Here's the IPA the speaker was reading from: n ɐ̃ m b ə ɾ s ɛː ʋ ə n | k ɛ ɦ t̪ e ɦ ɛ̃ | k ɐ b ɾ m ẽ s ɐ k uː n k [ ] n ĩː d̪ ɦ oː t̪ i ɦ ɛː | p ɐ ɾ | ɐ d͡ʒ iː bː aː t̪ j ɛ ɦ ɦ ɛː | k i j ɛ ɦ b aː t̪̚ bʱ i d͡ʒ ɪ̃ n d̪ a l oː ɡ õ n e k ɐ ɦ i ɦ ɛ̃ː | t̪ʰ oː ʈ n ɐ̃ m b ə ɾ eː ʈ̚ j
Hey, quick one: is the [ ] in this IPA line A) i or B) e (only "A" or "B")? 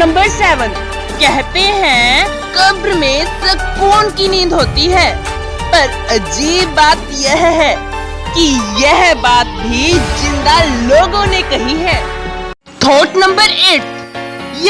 A